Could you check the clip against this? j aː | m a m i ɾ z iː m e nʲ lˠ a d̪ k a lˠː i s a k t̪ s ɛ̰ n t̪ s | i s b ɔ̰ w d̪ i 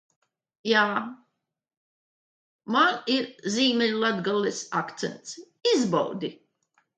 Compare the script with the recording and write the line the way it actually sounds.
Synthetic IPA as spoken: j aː | m a n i ɾ z iː m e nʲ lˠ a d̪ ɡ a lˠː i s a k t̪ s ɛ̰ n t̪ s | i z b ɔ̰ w d̪ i